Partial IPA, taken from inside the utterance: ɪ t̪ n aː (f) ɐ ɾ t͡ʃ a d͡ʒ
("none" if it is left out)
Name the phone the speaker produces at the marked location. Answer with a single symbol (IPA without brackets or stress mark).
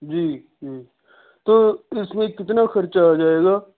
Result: x